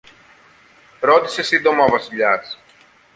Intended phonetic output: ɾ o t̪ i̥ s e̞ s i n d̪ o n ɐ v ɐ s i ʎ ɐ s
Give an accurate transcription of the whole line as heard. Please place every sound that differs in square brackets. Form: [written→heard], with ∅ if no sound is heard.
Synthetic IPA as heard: ɾ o t̪ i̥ s e̞ s i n d̪ o [n→m] ɐ v ɐ s i ʎ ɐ s